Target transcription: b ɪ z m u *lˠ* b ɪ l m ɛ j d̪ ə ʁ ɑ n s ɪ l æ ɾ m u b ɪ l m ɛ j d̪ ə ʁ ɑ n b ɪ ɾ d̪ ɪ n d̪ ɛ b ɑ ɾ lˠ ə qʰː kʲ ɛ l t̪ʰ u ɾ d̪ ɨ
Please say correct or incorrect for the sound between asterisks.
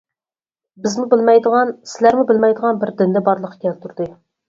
incorrect